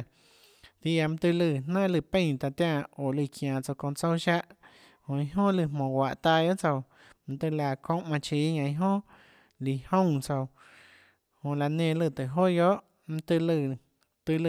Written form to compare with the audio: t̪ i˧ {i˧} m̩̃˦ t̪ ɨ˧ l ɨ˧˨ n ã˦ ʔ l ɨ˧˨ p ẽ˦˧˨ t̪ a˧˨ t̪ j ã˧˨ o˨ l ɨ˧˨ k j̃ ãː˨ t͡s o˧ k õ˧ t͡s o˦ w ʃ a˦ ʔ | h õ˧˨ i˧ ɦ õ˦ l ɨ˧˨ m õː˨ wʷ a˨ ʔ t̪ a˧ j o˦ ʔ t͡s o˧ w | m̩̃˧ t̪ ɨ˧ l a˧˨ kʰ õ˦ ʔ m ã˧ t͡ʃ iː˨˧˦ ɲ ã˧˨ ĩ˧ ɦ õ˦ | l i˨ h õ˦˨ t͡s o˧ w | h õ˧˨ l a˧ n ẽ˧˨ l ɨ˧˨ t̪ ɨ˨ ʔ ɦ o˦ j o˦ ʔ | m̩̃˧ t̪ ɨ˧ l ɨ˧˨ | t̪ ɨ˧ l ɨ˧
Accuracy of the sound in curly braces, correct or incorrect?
incorrect: a˧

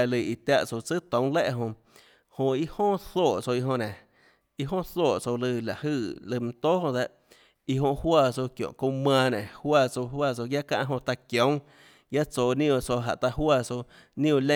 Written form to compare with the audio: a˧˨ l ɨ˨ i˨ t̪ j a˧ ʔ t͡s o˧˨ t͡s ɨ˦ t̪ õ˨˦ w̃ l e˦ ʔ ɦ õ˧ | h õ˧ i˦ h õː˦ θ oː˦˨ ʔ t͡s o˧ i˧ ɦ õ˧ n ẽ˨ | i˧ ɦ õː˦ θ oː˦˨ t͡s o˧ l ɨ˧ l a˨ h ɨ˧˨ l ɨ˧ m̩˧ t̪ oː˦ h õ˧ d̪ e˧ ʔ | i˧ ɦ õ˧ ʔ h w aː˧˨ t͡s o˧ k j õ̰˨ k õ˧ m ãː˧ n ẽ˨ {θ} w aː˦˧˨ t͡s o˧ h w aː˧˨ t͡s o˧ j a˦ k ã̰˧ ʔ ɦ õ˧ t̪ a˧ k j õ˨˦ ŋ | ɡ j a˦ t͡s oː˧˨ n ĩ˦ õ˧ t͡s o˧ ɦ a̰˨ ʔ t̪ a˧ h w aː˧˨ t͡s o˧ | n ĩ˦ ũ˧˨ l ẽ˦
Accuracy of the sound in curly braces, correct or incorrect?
incorrect: h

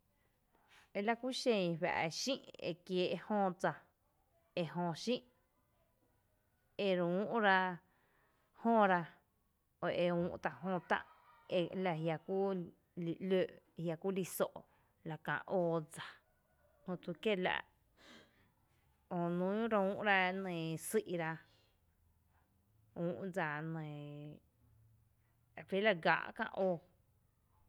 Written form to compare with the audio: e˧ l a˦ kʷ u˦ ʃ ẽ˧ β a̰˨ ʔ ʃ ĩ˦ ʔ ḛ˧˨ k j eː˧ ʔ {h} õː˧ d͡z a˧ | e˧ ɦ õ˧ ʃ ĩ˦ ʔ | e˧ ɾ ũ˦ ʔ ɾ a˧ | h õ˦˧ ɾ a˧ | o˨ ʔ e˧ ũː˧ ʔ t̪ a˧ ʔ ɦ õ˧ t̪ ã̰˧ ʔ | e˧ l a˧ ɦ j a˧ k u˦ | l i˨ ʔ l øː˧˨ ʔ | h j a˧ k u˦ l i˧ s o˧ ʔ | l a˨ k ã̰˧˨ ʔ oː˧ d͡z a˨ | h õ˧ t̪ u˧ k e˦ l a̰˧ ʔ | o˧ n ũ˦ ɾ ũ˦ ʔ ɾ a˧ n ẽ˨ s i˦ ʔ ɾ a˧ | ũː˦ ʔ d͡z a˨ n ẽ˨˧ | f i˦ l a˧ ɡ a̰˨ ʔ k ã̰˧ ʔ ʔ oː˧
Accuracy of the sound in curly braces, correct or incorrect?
correct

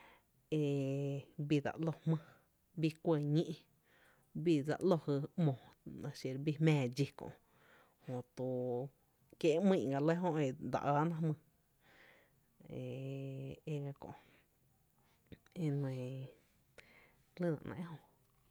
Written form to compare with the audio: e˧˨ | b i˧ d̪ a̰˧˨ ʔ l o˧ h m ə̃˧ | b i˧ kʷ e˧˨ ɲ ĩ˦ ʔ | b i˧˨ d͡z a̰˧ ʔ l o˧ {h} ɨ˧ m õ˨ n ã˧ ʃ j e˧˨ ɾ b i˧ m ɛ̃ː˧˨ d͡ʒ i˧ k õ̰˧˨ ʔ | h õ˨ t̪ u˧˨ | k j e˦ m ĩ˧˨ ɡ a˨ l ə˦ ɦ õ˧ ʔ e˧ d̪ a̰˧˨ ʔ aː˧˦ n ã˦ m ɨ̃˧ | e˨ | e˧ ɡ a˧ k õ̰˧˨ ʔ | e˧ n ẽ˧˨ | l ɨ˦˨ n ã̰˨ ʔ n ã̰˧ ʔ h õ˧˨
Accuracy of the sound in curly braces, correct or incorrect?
correct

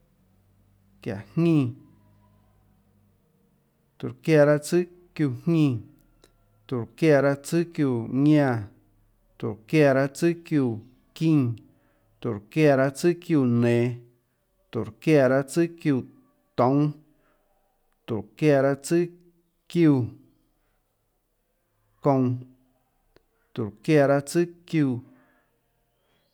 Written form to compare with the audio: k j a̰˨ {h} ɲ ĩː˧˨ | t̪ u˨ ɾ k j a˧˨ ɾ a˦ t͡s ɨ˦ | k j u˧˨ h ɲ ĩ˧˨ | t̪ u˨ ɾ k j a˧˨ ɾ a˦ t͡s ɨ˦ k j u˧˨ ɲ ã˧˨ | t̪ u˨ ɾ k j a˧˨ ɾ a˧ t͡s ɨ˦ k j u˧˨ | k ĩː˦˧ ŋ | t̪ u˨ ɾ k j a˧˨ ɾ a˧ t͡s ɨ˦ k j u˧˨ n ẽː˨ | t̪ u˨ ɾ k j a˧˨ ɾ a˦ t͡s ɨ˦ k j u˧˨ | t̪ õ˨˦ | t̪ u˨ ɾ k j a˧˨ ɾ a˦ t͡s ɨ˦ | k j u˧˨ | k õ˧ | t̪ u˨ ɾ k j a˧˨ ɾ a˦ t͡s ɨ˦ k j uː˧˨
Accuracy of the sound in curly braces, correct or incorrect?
correct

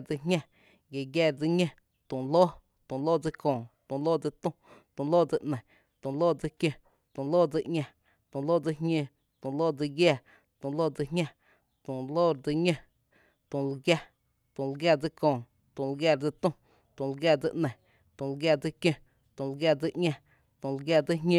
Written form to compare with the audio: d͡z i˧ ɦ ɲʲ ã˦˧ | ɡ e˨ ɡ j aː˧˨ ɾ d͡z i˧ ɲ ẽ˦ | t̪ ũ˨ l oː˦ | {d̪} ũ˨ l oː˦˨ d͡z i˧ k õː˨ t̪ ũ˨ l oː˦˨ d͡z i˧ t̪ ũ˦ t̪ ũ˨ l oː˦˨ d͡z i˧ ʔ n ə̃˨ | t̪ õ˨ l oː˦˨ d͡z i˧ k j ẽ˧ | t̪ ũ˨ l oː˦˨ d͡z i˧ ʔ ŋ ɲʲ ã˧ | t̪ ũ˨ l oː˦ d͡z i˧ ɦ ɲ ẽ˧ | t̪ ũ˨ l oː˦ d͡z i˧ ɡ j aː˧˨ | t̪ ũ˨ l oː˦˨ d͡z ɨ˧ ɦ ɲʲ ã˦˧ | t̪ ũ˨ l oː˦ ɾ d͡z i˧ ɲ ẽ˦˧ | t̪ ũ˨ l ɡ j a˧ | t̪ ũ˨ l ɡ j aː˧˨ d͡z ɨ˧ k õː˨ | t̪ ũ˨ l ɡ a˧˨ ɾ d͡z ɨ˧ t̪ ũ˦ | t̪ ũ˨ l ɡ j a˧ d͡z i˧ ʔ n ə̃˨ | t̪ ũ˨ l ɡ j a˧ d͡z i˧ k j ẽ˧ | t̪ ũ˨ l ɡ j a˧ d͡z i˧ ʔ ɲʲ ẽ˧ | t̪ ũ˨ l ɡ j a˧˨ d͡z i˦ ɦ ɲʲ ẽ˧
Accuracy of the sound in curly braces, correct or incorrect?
incorrect: t̪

